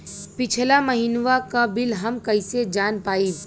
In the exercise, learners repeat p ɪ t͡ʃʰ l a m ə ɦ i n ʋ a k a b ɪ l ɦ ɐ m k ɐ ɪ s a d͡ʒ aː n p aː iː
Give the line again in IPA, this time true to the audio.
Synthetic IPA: p ɪ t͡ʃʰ l a m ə ɦ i n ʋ a k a b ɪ l ɦ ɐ m k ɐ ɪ s e d͡ʒ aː n p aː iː